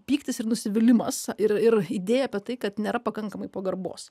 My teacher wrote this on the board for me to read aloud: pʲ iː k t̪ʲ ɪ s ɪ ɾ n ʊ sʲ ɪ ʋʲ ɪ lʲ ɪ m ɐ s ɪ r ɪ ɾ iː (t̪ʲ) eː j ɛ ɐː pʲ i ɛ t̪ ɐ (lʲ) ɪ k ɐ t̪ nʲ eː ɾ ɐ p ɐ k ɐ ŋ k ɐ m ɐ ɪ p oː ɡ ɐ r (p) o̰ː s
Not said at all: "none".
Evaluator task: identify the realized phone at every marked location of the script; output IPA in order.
d̪ʲ, none, b

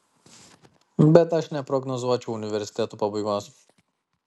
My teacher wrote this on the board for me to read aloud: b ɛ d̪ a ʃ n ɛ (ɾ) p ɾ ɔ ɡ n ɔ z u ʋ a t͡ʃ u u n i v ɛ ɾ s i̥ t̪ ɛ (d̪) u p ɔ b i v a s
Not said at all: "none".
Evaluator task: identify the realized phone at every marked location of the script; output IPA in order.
none, t̪

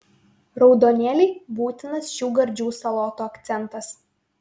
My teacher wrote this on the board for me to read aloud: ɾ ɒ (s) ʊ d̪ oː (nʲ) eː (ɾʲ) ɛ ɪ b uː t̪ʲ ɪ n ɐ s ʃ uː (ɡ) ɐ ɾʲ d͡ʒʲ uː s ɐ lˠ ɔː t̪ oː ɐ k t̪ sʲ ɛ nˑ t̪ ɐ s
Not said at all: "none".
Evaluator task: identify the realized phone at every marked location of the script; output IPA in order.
none, nʲ, lʲ, ɡ

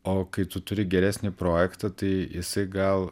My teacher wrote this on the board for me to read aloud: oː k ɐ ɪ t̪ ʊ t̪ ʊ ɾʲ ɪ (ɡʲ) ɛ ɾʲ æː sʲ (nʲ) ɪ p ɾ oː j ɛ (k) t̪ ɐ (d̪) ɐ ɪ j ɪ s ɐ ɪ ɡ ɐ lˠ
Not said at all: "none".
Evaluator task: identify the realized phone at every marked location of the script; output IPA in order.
ɡʲ, nʲ, k, t̪

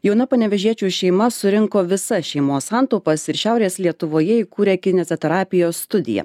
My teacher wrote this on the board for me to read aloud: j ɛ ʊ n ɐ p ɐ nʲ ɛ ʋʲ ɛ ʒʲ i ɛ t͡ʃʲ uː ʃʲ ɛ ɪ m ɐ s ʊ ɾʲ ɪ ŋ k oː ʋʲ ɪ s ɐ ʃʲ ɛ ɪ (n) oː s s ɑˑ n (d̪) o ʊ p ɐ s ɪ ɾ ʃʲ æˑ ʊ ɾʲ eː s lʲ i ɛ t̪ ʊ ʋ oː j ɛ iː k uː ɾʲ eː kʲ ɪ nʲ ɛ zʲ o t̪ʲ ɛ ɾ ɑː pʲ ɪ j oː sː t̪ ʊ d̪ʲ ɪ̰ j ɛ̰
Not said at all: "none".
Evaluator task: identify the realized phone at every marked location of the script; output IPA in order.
m, t̪

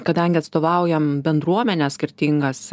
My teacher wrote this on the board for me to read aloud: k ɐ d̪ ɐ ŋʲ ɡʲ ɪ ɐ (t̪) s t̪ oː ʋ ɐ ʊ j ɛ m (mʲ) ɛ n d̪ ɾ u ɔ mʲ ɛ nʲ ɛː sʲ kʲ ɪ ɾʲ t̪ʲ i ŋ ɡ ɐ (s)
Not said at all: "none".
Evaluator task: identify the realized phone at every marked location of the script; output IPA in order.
t̪, bʲ, s

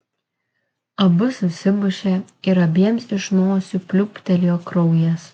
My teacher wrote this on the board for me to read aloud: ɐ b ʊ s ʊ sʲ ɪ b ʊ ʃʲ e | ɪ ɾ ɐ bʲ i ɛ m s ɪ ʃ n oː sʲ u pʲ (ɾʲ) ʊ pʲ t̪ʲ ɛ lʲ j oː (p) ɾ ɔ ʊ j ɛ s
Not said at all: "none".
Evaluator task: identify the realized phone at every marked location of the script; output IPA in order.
lʲ, k

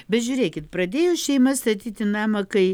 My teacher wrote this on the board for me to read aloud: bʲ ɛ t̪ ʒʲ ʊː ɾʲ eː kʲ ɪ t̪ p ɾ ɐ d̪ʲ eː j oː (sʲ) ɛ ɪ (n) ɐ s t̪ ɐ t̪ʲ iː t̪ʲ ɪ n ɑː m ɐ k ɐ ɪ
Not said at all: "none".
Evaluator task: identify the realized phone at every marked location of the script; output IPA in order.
ʃʲ, m

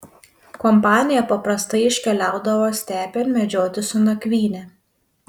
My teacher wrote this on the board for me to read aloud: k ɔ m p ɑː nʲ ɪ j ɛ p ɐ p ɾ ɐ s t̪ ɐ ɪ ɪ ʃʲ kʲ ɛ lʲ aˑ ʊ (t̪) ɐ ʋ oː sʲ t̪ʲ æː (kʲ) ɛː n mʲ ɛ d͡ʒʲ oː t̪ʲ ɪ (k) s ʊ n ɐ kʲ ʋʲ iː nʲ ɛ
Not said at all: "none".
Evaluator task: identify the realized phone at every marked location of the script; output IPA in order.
d̪, pʲ, none

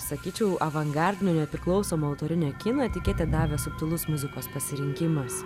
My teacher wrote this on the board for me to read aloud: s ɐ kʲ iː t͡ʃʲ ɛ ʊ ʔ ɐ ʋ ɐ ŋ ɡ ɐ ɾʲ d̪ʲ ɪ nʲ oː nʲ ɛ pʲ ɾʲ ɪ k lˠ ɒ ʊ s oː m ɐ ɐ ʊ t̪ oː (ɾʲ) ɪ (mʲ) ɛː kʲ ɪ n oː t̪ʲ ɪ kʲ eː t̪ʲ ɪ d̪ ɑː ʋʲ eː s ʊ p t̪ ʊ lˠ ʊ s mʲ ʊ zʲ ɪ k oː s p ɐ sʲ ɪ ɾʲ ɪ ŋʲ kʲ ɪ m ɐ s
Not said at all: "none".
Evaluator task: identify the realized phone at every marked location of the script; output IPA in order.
ɾʲ, nʲ

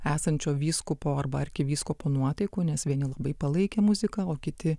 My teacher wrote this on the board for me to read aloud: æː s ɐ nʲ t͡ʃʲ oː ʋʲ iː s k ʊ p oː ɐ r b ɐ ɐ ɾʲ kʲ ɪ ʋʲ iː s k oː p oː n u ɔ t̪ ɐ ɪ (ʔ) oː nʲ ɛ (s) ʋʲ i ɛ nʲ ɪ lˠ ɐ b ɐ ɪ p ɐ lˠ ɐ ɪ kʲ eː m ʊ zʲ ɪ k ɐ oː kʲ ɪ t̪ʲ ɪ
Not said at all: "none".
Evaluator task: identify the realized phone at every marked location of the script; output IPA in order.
k, s

